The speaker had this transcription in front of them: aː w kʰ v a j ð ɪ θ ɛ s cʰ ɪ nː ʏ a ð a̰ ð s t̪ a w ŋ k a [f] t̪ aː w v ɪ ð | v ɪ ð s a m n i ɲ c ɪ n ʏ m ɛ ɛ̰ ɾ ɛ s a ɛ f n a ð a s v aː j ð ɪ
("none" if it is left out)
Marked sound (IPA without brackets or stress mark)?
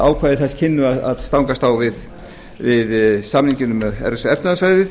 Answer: s